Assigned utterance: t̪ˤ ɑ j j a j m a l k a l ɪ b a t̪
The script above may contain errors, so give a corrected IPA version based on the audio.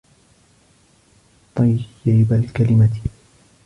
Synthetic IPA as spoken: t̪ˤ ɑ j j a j b a l k a l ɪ m a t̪